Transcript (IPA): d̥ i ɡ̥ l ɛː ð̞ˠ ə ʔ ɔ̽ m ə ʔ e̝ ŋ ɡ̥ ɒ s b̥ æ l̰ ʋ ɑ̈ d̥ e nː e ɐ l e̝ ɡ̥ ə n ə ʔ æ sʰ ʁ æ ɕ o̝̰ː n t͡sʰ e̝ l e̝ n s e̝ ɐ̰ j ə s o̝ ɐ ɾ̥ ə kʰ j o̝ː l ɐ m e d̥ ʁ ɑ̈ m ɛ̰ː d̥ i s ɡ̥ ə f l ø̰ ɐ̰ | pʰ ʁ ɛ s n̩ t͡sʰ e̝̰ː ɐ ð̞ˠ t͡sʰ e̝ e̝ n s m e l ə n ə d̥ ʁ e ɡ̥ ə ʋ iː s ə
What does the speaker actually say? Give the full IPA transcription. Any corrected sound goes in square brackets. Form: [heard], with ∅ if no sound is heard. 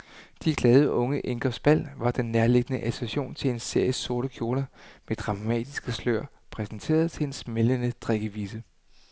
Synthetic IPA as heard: d̥ i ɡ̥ l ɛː ð̞ˠ ə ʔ ɔ̽ [ŋ] ə ʔ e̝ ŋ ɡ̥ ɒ s b̥ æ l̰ ʋ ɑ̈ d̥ e nː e ɐ l e̝ ɡ̥ ə n ə ʔ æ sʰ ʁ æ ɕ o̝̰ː n t͡sʰ e̝ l e̝ n s e̝ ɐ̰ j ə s o̝ ɐ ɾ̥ ə kʰ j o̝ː l ɐ m e d̥ ʁ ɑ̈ m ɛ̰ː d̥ i s ɡ̥ ə [s] l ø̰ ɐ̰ | pʰ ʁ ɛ s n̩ t͡sʰ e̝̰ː ɐ ð̞ˠ t͡sʰ e̝ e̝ n s m e l ə n ə d̥ ʁ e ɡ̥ ə ʋ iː s ə